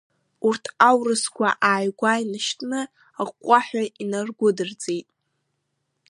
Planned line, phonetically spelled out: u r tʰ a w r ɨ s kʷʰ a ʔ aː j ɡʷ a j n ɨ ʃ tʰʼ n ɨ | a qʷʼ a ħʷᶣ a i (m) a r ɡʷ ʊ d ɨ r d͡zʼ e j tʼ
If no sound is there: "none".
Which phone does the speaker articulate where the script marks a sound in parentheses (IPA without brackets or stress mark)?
n